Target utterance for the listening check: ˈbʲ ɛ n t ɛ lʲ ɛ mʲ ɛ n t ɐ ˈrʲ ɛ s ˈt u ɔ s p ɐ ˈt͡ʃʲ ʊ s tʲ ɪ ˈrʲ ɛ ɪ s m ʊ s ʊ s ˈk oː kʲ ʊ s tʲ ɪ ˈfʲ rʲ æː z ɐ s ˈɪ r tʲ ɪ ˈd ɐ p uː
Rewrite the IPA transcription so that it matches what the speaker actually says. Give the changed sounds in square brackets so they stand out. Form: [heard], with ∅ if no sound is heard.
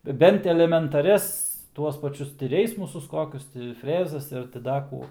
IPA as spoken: ˈbʲ ɛ n t ɛ lʲ ɛ mʲ ɛ n t ɐ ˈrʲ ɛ s ˈt u ɔ s p ɐ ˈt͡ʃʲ ʊ s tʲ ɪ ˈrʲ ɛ ɪ s m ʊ s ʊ s ˈk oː kʲ ʊ s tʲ ɪ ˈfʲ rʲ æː z ɐ s ˈɪ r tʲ ɪ ˈd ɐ [k] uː